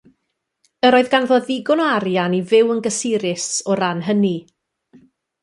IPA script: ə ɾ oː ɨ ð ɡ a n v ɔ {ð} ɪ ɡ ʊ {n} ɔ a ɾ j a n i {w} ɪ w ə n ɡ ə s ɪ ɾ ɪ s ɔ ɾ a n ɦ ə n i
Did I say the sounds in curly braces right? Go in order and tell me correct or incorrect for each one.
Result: correct, correct, incorrect

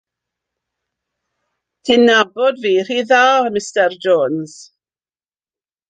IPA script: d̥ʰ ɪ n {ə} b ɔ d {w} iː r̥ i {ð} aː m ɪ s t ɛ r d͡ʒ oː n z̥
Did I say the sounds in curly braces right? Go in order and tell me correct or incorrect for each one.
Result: incorrect, incorrect, correct

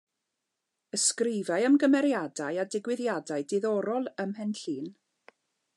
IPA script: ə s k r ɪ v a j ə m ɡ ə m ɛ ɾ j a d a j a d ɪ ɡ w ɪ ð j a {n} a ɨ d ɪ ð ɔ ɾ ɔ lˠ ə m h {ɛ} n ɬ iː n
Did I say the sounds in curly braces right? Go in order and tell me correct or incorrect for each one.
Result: incorrect, correct

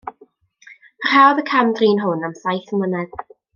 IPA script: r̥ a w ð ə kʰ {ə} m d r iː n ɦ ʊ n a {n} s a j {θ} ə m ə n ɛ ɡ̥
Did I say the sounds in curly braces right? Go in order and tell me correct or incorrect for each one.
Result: incorrect, incorrect, correct

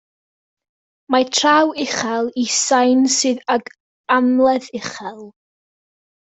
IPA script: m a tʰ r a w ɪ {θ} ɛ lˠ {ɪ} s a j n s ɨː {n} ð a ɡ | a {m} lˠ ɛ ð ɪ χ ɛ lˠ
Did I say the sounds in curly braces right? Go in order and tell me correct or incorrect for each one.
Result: incorrect, incorrect, incorrect, correct

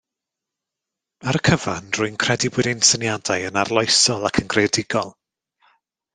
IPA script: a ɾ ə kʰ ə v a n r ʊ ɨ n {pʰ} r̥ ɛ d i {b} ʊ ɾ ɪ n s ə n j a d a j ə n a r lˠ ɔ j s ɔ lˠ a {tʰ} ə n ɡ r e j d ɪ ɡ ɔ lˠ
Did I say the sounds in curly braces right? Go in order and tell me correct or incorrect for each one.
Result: incorrect, correct, incorrect

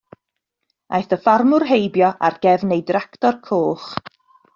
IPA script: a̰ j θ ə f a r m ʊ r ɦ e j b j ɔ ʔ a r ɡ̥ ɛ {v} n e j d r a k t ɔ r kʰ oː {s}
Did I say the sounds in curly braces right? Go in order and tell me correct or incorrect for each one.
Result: correct, incorrect

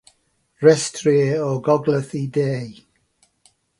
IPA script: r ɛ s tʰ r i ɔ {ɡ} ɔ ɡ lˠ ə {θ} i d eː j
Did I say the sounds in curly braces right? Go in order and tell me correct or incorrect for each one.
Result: correct, correct

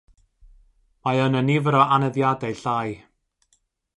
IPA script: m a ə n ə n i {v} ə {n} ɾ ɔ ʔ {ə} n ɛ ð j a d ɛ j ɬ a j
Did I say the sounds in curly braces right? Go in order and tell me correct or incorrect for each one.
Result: correct, incorrect, incorrect

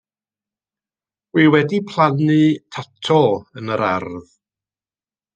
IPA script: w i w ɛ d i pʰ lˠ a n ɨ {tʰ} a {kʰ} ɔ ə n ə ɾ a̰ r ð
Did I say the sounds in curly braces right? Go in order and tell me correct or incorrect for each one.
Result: correct, incorrect

